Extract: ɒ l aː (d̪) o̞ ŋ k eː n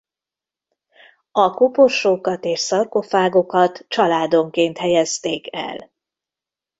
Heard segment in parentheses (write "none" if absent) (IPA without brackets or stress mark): d̪